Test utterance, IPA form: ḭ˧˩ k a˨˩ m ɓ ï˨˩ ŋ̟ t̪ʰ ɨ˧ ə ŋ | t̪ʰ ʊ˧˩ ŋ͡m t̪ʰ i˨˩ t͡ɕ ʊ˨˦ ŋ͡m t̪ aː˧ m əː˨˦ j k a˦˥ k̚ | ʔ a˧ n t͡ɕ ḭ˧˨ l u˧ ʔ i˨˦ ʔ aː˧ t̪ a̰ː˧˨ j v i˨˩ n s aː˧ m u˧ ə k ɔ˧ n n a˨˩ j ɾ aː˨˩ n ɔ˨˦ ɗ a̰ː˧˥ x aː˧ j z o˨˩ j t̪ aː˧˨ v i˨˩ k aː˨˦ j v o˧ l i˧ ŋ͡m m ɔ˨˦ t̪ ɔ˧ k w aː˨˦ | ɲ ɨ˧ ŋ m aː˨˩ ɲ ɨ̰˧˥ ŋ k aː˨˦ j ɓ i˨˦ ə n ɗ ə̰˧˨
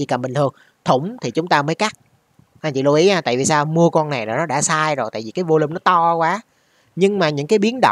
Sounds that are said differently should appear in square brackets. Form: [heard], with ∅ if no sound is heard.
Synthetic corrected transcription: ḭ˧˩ k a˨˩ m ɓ ï˨˩ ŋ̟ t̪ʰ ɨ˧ ə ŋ | t̪ʰ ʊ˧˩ ŋ͡m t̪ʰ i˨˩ t͡ɕ ʊ˨˦ ŋ͡m t̪ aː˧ m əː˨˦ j k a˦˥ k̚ | ʔ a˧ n t͡ɕ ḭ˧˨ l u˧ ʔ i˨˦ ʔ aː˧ t̪ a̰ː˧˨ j v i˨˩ [∅] s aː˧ m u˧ ə k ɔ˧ n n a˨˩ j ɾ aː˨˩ n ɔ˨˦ ɗ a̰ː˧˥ [s] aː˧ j z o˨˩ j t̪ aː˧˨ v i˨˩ k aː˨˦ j v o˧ l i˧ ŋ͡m [n] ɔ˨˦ t̪ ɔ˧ k w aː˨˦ | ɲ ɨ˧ ŋ m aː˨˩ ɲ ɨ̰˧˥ ŋ k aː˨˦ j ɓ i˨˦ ə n ɗ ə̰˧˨